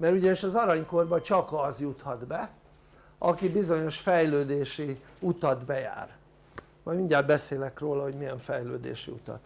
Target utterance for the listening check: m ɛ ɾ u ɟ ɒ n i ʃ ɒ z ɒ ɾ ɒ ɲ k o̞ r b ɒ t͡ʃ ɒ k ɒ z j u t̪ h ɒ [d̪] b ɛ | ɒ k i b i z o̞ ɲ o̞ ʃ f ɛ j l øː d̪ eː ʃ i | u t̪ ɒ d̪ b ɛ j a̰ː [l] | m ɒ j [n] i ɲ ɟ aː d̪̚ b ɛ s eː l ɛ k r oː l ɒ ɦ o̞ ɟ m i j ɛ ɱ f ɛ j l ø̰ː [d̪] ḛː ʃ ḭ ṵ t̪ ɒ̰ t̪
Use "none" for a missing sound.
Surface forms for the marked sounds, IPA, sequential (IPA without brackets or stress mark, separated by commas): d̪, r, m, d̪